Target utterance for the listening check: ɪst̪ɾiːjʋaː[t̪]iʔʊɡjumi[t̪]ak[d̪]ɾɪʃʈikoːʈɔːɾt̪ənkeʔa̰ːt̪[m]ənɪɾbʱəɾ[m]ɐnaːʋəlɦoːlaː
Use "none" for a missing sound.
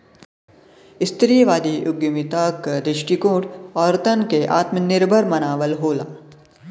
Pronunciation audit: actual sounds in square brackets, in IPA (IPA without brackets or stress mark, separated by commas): d̪, t̪, d̪, m, m